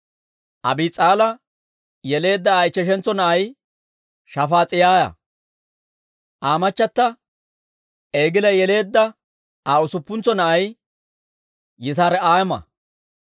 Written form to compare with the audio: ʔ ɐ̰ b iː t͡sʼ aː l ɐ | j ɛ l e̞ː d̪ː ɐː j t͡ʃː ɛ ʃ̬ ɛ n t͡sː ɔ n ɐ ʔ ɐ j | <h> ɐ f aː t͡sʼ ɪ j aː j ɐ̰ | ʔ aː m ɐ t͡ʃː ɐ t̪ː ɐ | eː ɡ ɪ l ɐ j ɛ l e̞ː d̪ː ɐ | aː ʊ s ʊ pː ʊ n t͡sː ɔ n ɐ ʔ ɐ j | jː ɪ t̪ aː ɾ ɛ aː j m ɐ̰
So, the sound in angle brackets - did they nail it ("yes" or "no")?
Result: no